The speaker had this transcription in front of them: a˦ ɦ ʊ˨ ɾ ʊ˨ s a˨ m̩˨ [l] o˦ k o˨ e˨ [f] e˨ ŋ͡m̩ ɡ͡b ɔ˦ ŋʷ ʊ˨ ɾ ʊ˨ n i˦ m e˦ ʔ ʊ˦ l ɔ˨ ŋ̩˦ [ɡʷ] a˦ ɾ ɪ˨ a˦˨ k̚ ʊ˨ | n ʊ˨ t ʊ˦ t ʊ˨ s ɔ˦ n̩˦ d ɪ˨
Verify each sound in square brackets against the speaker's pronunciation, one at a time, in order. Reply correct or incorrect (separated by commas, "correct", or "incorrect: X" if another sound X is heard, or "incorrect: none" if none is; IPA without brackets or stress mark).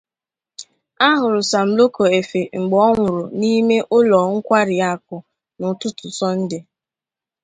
correct, correct, incorrect: kʷ